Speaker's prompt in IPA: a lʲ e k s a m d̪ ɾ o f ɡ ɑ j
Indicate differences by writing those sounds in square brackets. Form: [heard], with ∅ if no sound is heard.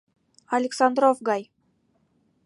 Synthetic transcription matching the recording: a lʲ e k s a [n] d̪ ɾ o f ɡ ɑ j